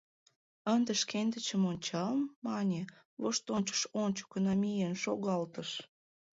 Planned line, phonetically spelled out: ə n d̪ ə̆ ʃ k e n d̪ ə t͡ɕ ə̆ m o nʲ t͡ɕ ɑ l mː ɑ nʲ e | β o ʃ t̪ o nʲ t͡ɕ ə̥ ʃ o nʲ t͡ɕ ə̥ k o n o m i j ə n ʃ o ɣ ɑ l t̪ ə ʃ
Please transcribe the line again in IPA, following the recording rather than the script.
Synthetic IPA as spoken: ə n d̪ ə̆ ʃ k e n d̪ ə t͡ɕ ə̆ m o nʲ t͡ɕ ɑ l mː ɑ nʲ e | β o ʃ t̪ o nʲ t͡ɕ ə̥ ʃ o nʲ t͡ɕ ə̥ k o n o m i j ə n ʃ o ɣ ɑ l t̪ ə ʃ